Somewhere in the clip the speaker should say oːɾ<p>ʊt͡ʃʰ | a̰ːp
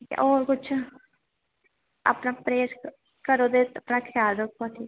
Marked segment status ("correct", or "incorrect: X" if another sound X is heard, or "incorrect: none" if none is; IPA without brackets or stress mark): incorrect: k